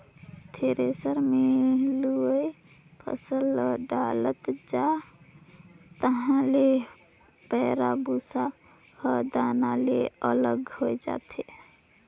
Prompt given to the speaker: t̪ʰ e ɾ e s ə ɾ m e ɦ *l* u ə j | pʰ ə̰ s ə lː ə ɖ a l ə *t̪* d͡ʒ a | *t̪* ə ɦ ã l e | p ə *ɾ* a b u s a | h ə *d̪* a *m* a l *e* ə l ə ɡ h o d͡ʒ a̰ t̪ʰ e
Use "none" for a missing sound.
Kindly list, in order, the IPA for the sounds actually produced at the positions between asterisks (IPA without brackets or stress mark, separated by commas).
l, t̪, t̪, ɾ, d̪, n, e